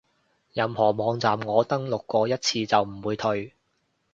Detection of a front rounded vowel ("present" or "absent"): absent